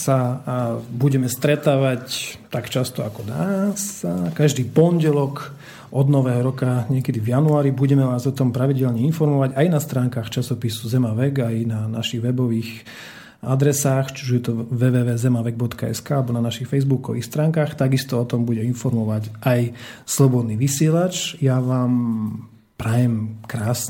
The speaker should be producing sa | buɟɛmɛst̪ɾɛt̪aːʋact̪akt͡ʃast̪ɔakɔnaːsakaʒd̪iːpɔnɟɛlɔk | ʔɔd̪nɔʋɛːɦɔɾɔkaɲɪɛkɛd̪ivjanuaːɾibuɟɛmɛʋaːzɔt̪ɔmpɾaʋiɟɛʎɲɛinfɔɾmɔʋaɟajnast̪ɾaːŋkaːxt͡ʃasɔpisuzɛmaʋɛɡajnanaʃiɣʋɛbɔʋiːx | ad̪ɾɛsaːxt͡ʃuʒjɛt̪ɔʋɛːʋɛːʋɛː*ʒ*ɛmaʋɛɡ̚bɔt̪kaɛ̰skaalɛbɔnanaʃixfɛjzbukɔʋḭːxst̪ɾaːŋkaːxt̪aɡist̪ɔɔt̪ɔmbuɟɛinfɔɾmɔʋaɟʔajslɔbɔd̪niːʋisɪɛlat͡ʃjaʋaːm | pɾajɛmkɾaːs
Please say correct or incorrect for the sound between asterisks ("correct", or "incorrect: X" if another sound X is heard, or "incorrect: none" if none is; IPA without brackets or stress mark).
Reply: incorrect: z